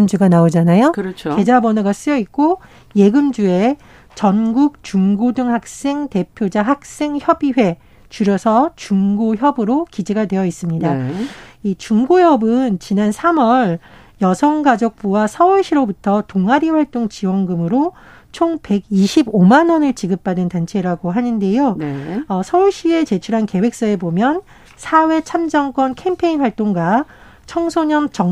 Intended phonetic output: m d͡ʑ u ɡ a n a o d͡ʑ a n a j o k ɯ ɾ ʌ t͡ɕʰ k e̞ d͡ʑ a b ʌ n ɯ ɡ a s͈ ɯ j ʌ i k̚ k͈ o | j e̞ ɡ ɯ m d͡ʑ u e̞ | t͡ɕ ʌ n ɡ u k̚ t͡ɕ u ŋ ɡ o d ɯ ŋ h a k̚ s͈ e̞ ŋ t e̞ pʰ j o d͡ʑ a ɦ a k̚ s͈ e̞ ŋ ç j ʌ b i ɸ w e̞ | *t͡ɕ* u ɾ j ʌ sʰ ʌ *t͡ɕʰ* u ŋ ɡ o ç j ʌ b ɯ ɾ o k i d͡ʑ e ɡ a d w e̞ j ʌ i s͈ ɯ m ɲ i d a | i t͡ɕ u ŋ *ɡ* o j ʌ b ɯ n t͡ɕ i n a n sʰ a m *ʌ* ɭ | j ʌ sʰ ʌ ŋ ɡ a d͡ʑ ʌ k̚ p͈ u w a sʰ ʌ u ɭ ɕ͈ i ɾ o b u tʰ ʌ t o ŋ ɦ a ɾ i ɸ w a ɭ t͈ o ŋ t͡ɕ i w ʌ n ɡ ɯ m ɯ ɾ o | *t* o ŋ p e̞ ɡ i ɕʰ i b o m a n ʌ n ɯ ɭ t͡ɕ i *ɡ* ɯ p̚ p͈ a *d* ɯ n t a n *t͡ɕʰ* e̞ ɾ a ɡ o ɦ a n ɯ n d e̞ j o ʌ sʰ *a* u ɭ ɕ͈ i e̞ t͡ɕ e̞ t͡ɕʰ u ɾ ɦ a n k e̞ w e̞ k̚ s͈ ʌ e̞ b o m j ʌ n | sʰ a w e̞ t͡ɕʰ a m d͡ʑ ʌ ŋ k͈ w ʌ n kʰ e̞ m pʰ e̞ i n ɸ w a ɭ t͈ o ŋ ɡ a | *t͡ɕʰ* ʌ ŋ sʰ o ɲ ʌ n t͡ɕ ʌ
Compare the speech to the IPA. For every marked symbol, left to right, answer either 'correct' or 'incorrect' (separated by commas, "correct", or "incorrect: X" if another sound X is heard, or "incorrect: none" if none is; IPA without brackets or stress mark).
correct, incorrect: t͡ɕ, correct, correct, incorrect: t͡ɕʰ, correct, correct, correct, incorrect: ʌ, correct